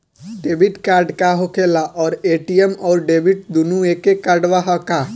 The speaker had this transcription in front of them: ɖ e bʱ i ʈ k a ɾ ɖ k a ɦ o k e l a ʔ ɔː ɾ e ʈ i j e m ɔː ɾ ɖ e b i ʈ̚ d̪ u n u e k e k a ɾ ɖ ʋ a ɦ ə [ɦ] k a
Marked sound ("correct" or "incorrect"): incorrect